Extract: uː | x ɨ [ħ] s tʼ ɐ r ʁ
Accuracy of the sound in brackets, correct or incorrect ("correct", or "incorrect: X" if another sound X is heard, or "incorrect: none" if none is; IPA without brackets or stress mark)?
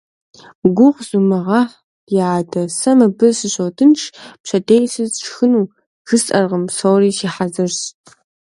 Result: incorrect: none